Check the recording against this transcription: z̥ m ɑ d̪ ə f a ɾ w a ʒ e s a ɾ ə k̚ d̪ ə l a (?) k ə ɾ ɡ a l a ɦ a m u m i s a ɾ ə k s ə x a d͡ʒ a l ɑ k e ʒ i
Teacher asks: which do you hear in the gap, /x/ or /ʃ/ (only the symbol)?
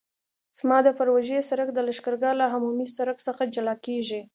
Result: ʃ